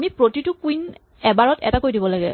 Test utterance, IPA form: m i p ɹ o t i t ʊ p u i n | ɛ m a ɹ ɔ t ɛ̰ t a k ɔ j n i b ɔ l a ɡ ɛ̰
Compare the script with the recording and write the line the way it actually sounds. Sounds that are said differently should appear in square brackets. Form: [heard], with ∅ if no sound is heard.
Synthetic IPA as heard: m i p ɹ o t i t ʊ [k] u i n | ɛ [b] a ɹ ɔ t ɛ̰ t a k [o] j [d] i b ɔ l a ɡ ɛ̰